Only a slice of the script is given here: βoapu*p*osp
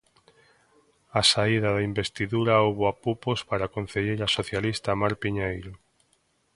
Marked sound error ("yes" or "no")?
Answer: no